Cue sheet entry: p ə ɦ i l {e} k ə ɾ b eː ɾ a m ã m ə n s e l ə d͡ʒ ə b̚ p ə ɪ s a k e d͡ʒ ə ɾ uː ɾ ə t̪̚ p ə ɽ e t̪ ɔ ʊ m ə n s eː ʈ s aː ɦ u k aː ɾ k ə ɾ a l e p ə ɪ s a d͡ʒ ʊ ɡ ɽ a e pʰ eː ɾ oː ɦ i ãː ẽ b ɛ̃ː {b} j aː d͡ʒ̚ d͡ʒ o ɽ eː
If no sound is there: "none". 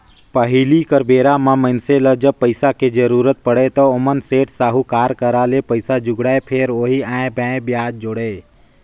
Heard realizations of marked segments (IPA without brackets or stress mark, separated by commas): i, b